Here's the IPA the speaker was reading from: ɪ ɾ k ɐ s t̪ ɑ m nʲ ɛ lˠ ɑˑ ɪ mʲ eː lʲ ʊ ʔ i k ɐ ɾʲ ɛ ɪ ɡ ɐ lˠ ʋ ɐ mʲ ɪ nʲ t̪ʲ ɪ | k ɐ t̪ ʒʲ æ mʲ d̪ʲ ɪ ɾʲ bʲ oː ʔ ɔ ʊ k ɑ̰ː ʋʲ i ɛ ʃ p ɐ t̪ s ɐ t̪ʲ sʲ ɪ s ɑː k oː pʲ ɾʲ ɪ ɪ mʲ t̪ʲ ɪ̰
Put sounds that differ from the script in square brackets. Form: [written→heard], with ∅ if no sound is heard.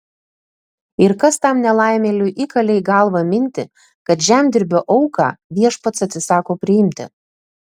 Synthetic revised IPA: ɪ ɾ k ɐ s t̪ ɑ m nʲ ɛ lˠ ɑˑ ɪ mʲ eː lʲ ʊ ʔ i k ɐ [ɾʲ→lʲ] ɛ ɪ ɡ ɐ lˠ ʋ ɐ mʲ ɪ nʲ t̪ʲ ɪ | k ɐ t̪ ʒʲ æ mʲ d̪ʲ ɪ ɾʲ bʲ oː ʔ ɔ ʊ k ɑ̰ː ʋʲ i ɛ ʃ p ɐ t̪ s ɐ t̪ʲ sʲ ɪ s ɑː k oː pʲ ɾʲ ɪ ɪ mʲ t̪ʲ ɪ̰